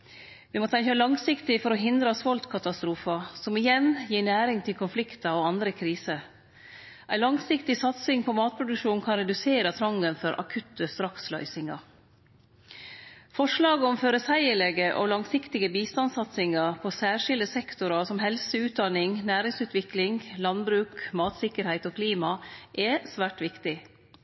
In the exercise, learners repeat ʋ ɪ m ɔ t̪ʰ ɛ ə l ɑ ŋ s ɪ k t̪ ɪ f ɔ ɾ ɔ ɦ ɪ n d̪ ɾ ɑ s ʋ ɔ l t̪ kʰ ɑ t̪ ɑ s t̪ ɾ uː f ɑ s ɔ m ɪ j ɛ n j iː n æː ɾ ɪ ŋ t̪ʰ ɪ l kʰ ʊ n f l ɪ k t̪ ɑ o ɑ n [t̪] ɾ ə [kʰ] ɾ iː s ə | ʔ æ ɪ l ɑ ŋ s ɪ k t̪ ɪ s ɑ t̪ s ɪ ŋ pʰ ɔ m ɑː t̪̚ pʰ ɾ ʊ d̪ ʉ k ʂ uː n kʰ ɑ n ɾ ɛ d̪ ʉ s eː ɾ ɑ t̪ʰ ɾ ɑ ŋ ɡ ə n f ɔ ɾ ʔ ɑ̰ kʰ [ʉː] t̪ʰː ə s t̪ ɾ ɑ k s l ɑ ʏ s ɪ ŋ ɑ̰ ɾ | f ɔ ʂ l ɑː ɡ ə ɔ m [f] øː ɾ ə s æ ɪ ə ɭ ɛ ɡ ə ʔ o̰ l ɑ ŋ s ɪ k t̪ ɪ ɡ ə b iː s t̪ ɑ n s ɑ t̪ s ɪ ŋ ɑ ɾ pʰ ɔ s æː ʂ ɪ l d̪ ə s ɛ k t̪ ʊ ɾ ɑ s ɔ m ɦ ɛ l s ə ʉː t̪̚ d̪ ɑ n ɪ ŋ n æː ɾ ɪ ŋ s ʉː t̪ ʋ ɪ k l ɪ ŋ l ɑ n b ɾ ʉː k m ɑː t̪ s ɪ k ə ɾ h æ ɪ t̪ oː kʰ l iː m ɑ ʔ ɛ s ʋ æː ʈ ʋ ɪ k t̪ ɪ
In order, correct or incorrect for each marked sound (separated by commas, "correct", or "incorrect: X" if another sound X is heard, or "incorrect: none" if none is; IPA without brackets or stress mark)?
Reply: incorrect: d̪, correct, incorrect: ʉ, correct